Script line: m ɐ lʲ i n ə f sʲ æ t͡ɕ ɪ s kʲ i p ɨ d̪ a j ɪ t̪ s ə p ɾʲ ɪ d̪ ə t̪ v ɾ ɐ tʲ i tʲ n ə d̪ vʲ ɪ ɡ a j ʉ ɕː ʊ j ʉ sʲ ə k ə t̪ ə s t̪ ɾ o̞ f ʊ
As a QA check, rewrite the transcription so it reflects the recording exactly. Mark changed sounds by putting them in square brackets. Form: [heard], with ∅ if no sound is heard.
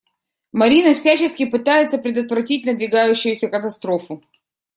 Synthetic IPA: m ɐ [ɾʲ] i n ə f sʲ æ t͡ɕ ɪ s kʲ [ɪ] p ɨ [t̪] a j ɪ t̪ s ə p ɾʲ ɪ d̪ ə t̪ v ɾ ɐ tʲ i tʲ n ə d̪ vʲ ɪ ɡ a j ʉ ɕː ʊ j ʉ sʲ ə k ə t̪ [ɐ] s t̪ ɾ o̞ f ʊ